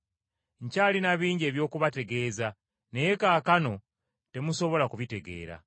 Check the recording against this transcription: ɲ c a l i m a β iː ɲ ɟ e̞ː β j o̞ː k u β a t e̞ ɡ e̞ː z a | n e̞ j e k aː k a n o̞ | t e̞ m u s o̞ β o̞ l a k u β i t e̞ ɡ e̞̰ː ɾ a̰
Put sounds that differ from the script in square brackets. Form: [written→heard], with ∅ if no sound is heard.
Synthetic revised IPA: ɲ c a l i [m→n] a β iː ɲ ɟ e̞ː β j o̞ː k u β a t e̞ ɡ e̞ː z a | n e̞ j e k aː k a n o̞ | t e̞ m u s o̞ β o̞ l a k u β i t e̞ ɡ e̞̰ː ɾ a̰